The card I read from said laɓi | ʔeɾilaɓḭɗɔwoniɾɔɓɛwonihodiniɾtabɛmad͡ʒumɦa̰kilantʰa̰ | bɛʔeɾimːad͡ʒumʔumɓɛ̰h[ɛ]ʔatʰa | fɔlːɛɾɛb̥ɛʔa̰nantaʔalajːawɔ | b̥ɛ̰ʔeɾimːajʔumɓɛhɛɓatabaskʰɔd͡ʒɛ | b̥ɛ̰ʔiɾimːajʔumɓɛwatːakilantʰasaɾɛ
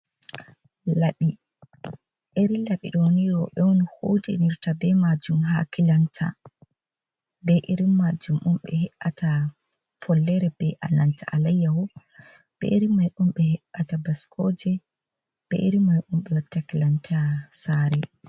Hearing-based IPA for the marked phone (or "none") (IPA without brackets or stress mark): ɛ